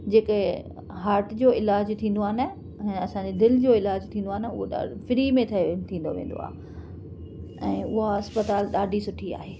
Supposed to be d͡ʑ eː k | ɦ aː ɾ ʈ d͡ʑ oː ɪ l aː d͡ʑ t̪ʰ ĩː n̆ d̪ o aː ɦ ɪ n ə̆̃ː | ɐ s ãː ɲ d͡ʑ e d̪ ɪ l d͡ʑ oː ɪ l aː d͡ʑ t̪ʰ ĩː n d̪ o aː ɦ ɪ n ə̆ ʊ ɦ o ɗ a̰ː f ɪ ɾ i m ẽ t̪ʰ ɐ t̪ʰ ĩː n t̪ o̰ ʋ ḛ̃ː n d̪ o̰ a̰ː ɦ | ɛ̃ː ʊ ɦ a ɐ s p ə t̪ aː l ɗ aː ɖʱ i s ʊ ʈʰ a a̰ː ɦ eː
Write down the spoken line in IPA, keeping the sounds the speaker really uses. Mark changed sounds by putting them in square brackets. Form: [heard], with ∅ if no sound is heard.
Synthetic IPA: d͡ʑ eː k | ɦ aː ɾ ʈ d͡ʑ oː ɪ l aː d͡ʑ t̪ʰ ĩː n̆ d̪ o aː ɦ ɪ n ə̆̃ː | ɐ s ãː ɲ d͡ʑ e d̪ ɪ l d͡ʑ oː ɪ l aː d͡ʑ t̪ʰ ĩː n d̪ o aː ɦ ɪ n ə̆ ʊ ɦ o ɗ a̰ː f ɪ ɾ i m ẽ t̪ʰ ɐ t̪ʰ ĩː n [d̪] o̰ ʋ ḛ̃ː n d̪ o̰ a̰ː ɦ | ɛ̃ː ʊ ɦ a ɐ s p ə t̪ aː l ɗ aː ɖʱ i s ʊ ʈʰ [i] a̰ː ɦ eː